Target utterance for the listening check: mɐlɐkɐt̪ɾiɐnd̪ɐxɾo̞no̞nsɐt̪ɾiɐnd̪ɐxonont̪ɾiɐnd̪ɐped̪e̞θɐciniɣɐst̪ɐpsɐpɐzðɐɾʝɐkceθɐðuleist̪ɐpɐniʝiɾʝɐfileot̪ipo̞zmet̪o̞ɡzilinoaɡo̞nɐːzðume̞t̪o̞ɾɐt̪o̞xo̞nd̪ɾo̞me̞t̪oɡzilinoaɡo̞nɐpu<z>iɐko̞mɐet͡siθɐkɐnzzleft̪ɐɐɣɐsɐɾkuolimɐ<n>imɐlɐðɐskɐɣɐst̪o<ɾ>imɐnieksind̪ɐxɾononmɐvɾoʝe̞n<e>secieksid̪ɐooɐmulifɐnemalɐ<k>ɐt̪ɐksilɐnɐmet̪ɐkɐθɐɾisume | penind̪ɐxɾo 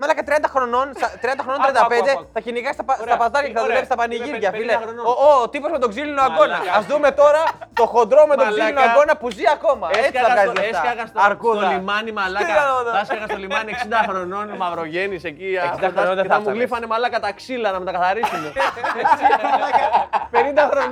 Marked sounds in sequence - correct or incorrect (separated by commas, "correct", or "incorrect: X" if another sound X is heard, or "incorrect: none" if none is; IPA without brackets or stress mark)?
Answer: correct, correct, incorrect: l, incorrect: i, correct